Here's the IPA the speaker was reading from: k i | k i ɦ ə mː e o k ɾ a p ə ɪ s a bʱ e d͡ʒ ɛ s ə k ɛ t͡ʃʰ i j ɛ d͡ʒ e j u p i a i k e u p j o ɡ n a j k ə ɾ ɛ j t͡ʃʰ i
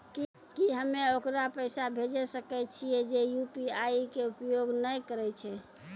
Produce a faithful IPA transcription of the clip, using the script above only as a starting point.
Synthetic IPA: k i | k i ɦ ə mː e o k ɾ a p ə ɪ s a bʱ e d͡ʒ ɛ s ə k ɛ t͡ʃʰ i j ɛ d͡ʒ e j u p i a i k e u p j o ɡ n ə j k ə ɾ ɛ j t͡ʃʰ ɛ